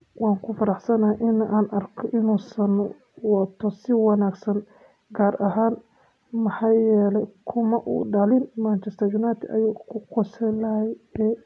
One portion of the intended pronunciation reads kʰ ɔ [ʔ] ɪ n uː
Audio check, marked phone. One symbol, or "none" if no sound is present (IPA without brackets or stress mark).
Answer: ʔ